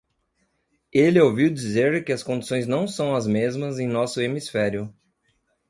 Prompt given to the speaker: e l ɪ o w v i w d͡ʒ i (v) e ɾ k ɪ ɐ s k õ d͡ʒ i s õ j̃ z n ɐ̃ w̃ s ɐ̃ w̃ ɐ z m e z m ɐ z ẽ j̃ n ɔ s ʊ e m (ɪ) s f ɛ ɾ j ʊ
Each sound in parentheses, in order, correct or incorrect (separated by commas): incorrect, incorrect